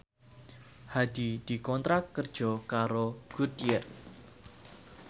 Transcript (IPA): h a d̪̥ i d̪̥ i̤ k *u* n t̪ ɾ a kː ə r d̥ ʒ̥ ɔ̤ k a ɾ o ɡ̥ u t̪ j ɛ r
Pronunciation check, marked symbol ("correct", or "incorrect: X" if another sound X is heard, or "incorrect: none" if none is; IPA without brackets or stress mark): incorrect: ɔ